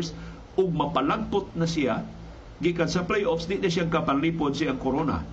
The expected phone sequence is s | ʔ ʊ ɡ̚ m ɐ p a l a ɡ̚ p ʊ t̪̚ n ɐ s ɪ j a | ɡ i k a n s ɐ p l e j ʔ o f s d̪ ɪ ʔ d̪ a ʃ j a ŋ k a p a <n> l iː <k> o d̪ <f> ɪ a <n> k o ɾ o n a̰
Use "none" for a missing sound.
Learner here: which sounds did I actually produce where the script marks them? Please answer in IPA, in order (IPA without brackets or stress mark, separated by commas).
n, p, s, ŋ